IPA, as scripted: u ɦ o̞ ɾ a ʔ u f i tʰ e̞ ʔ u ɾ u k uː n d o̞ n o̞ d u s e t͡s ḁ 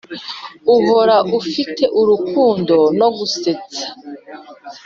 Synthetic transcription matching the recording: u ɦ o̞ ɾ a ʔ u f i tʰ e̞ ʔ u ɾ u k uː n d o̞ n o̞ ɡ u s e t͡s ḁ